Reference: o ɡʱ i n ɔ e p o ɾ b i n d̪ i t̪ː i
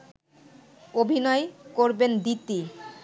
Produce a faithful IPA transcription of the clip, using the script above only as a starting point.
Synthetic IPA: o bʱ i n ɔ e k o ɾ b e n d̪ i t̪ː i